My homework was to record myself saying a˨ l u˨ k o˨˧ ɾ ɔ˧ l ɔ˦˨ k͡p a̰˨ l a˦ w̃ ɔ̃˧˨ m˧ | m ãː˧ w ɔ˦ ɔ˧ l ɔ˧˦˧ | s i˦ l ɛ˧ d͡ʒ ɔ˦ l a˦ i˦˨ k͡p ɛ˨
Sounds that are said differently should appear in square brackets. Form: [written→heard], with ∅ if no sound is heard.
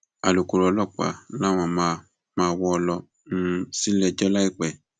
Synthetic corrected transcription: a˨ l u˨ k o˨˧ ɾ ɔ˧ l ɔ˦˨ k͡p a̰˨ l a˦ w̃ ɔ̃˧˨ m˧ | m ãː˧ w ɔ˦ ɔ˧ l ɔ˧˦˧ | s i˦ l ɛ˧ d͡ʒ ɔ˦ l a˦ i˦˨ k͡p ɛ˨